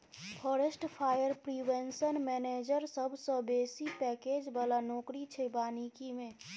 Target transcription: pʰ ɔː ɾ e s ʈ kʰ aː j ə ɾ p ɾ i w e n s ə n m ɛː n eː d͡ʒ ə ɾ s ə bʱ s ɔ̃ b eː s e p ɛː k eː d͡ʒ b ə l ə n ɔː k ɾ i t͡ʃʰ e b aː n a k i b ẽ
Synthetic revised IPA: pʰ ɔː ɾ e s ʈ pʰ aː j ə ɾ p ɾ i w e n s ə n m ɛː n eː d͡ʒ ə ɾ s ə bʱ s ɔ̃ b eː s i p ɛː k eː d͡ʒ b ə l a n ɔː k ɾ i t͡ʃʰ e b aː n i k i m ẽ